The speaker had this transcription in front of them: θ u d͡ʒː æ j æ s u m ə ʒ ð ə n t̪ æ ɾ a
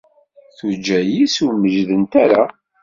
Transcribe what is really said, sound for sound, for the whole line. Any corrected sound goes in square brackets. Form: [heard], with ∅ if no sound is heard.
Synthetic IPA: θ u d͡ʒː æ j [i] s u m ə ʒ ð ə n t̪ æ ɾ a